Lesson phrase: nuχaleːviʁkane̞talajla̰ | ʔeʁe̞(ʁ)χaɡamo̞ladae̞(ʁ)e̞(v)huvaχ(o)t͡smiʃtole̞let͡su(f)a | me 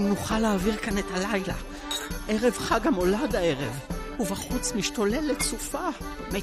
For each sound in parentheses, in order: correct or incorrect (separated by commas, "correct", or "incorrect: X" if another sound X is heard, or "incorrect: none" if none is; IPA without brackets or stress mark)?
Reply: incorrect: v, correct, correct, incorrect: u, correct